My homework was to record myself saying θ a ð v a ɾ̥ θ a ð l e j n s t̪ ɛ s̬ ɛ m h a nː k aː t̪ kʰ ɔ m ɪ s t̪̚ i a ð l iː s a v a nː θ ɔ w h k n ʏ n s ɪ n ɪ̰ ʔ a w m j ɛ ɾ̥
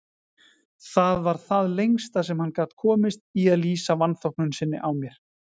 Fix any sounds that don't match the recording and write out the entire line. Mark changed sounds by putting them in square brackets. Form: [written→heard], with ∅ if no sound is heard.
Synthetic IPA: θ a ð v a ɾ̥ θ a ð l e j [n→ŋ] s t̪ [ɛ→a] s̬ ɛ m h a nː k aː t̪ kʰ [ɔ→ɔː] m ɪ s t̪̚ i a ð l iː s a v a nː θ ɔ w h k n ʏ n s ɪ [n→nː] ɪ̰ ʔ a w m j ɛ ɾ̥